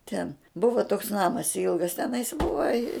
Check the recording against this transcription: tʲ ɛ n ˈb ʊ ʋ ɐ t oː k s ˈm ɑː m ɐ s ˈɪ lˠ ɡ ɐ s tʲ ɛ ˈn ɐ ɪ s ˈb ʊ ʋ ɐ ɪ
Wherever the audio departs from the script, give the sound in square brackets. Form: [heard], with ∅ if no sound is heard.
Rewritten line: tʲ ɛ n ˈb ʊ ʋ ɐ t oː k s [ˈn] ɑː m ɐ s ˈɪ lˠ ɡ ɐ s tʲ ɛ ˈn ɐ ɪ s ˈb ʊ ʋ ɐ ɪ